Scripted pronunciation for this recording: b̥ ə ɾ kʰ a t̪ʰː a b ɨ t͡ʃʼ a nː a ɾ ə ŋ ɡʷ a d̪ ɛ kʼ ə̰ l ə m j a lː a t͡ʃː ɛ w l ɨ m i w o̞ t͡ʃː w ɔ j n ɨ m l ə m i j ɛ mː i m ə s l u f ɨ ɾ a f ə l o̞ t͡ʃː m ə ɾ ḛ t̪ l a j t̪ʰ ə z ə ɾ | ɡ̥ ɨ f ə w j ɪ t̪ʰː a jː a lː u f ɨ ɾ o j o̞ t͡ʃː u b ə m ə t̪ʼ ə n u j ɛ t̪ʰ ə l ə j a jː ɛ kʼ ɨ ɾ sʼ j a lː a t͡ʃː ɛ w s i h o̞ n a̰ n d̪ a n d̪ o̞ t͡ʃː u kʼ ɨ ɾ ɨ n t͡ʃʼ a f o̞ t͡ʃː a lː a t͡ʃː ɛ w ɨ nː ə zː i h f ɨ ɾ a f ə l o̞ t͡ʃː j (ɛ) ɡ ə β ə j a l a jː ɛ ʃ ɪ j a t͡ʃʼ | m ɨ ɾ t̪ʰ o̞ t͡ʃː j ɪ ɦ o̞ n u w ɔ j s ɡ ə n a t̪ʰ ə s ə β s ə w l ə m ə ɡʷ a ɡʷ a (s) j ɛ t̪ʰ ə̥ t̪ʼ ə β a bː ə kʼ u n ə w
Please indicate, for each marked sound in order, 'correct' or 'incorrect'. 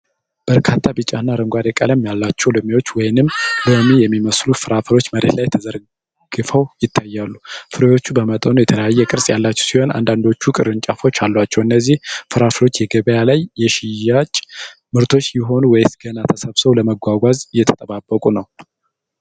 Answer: correct, incorrect

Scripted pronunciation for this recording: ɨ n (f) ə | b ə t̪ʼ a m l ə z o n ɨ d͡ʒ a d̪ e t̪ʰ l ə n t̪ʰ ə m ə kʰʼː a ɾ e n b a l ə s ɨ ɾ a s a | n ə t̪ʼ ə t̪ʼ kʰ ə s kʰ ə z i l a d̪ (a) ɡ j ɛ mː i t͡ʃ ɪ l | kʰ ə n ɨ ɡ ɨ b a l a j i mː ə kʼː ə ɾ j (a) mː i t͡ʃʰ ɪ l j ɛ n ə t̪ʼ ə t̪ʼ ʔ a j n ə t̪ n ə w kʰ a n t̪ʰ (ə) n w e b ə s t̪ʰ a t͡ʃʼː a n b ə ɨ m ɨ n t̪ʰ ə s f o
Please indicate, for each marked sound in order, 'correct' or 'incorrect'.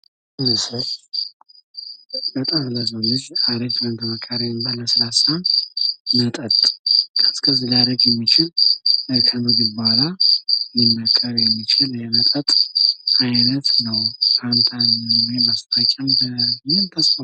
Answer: incorrect, incorrect, incorrect, incorrect

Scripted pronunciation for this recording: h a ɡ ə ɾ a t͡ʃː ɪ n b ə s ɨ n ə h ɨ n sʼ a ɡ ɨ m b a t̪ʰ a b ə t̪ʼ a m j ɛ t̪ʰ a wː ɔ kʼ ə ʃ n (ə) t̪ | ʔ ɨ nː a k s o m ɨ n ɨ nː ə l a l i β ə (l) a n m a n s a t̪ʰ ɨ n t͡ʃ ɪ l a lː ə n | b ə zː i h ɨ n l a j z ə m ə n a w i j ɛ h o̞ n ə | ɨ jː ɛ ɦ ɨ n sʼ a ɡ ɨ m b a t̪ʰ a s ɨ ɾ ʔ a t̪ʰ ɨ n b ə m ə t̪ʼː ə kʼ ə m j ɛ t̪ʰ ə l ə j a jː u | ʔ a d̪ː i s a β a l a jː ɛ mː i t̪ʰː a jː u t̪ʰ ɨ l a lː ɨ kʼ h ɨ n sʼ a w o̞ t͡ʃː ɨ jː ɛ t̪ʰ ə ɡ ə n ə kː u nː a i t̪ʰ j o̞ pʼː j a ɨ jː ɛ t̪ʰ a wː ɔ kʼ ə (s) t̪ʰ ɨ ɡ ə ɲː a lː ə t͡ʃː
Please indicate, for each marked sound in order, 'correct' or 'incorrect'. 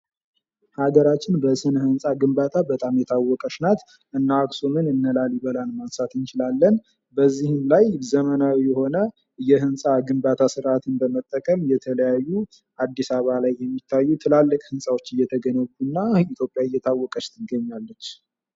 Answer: incorrect, correct, incorrect

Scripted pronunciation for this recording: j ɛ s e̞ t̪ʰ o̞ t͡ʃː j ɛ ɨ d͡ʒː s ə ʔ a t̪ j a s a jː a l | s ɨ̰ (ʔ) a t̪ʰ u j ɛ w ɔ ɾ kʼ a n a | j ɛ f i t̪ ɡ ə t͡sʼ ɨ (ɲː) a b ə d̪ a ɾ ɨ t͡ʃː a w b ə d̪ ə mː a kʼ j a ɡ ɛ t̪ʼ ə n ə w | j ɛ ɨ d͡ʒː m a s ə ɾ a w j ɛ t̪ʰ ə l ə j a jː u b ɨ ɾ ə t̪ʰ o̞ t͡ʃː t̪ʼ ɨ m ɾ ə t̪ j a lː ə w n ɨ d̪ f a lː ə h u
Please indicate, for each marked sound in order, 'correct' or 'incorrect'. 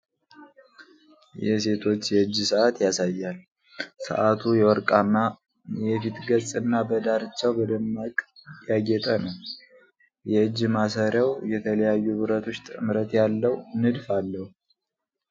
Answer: correct, incorrect

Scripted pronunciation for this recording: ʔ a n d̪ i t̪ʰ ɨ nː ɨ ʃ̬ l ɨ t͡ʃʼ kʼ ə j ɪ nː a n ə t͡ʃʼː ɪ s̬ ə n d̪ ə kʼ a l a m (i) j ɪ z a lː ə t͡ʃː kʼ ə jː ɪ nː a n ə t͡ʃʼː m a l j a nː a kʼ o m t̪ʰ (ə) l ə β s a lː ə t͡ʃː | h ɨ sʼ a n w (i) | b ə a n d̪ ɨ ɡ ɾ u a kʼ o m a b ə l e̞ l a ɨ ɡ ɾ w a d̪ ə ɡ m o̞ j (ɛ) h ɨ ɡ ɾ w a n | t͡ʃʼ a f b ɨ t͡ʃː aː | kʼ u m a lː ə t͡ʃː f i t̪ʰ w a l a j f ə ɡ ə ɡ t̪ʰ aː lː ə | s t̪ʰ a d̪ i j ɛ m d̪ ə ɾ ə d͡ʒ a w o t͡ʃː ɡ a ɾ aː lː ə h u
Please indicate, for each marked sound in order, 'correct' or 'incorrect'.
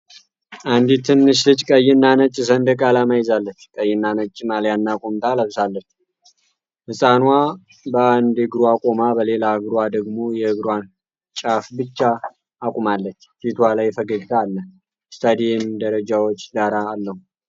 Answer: incorrect, incorrect, incorrect, correct

